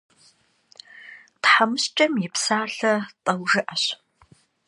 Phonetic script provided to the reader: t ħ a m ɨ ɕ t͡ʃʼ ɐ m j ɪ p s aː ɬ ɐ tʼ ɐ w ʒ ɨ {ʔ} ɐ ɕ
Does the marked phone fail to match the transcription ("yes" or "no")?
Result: no